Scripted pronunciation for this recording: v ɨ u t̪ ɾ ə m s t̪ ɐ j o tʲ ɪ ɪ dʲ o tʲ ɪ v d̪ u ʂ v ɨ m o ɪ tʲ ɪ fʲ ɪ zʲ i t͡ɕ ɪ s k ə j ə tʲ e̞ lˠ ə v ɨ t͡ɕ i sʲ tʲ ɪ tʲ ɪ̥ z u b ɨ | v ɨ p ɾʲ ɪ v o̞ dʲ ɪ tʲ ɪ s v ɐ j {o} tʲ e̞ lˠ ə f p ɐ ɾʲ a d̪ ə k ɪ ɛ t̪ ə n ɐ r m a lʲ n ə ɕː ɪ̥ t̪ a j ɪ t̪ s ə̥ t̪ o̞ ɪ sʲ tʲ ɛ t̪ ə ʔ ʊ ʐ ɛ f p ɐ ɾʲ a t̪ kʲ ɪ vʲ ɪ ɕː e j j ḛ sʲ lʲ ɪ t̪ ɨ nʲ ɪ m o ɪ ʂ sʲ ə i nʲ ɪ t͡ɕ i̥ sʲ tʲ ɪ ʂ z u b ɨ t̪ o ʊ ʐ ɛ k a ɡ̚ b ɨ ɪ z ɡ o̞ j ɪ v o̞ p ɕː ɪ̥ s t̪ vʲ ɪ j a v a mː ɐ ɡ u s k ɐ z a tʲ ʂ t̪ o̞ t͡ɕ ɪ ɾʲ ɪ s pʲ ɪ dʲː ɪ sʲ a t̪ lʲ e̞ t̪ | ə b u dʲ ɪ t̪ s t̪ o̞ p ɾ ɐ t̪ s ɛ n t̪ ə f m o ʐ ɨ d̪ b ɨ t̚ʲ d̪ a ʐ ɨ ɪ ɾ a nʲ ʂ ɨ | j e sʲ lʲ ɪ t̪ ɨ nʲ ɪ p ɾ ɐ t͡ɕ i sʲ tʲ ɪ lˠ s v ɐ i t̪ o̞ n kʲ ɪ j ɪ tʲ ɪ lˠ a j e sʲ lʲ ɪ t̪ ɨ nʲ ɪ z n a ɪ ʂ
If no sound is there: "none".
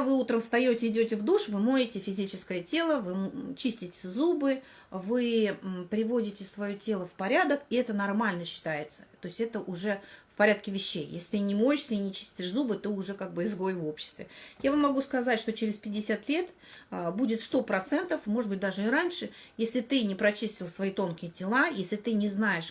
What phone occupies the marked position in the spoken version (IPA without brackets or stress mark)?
o